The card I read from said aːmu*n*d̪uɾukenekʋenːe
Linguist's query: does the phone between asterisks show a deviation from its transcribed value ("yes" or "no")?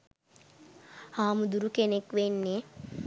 yes